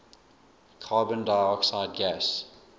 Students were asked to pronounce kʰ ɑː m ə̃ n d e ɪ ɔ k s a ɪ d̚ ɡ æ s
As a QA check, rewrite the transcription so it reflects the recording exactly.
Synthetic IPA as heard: kʰ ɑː b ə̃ n d a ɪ ɔ k s a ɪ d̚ ɡ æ s